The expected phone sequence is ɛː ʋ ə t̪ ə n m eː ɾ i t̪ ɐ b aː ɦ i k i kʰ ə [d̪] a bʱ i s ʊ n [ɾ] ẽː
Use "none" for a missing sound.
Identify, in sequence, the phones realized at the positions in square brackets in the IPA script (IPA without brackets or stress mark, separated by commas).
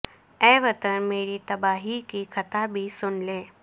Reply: t̪, l